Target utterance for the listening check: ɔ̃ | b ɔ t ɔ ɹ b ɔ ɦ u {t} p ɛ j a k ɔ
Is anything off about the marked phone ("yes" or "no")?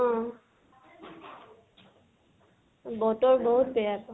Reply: no